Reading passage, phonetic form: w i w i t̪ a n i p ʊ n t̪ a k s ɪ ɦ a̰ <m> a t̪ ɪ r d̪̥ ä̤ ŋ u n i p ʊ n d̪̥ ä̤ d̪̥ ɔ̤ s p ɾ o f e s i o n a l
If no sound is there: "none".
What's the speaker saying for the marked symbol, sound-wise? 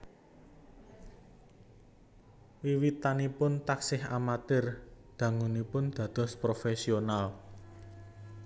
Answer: m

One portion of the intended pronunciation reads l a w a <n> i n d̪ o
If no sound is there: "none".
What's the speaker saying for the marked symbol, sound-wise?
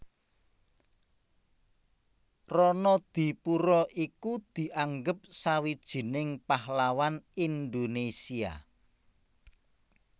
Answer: n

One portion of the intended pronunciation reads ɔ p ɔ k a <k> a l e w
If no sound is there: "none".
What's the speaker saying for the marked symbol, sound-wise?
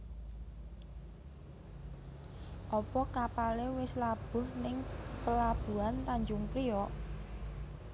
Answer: p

